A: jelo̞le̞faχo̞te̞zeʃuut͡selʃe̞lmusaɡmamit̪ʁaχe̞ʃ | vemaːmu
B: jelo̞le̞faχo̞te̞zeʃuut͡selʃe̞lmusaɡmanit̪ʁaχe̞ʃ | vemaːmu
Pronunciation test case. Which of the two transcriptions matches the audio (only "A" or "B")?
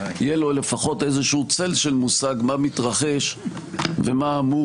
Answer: A